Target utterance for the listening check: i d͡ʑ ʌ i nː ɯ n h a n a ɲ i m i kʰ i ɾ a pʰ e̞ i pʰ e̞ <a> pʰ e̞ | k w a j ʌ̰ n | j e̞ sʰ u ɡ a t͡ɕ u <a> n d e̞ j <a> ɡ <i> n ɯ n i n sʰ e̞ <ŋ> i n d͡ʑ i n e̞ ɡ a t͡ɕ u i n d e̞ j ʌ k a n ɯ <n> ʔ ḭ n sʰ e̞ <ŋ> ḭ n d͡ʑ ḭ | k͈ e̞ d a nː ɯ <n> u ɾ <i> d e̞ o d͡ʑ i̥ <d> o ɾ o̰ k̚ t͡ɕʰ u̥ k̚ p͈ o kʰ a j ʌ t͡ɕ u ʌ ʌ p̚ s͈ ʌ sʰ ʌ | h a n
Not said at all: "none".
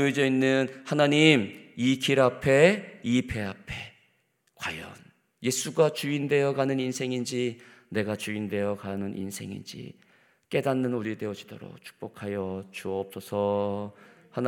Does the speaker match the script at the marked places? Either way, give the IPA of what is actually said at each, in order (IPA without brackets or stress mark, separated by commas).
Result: a, i, ʌ, a, ŋ, n, ŋ, n, i, d